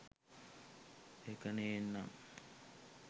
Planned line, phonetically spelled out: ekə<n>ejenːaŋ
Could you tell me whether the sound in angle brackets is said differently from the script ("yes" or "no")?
no